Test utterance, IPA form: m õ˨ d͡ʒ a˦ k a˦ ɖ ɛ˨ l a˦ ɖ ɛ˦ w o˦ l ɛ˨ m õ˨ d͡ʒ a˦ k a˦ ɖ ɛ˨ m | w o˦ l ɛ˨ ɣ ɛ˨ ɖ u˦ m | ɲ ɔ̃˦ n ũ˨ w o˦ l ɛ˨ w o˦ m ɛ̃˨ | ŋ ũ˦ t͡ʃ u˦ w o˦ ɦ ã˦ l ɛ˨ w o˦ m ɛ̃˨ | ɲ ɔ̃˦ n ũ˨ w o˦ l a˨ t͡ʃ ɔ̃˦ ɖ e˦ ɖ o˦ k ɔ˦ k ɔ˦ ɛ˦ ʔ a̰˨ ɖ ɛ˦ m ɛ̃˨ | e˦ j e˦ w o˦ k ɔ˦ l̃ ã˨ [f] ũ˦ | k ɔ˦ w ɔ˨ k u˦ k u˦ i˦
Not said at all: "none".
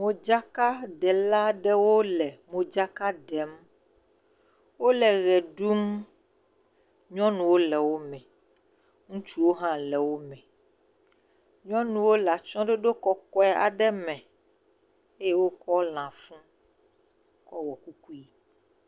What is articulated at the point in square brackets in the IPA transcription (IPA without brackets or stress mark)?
f